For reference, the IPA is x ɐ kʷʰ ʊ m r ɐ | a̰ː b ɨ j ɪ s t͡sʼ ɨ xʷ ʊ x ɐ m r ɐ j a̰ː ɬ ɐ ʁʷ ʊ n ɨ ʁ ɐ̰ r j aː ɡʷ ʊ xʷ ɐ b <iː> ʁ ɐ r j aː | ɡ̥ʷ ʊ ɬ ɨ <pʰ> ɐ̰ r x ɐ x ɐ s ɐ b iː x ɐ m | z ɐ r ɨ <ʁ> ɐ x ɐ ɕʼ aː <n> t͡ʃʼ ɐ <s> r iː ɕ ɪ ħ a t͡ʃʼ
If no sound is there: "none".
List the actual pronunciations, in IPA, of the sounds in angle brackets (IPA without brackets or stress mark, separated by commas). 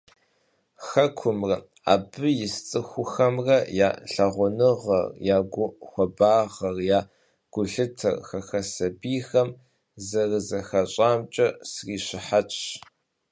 aː, tʰ, z, m, s